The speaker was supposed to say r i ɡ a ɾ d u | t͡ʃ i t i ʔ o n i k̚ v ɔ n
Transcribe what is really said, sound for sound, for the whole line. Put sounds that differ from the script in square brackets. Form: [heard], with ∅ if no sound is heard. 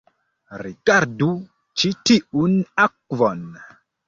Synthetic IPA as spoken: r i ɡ a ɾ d u | t͡ʃ i t i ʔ [u] n [a] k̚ v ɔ n